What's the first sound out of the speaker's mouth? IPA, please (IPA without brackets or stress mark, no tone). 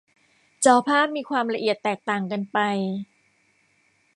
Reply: t͡ɕ